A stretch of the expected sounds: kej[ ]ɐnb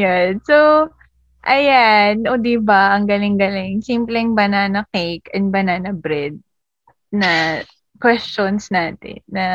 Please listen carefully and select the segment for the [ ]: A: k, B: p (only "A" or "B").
A